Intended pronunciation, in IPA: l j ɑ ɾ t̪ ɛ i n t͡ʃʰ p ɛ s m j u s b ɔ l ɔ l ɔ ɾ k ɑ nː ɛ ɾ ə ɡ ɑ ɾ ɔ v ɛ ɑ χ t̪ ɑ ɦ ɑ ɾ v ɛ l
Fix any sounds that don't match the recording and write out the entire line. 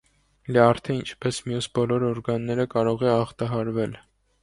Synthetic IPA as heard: l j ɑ ɾ t̪ʰ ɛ i n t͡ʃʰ p ɛ s m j u s b ɔ l ɔ ɾ ɔ ɾ ɡ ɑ nː ɛ ɾ ə k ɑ ɾ ɔ ʁ ɛ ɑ χ t̪ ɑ ɦ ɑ ɾ v ɛ l